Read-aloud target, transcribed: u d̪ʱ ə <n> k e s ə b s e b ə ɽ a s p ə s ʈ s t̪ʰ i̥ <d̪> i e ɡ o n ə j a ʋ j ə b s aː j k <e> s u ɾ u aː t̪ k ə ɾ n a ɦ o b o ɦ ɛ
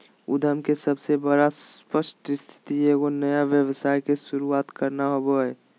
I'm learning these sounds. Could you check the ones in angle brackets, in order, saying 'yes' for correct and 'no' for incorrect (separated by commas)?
no, no, yes